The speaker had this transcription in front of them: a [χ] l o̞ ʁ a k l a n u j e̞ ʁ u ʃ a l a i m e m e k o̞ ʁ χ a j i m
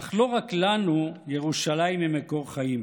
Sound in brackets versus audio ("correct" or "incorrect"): correct